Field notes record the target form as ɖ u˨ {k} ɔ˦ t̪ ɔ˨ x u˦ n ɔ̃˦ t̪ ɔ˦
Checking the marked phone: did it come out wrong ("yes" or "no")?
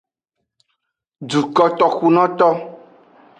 no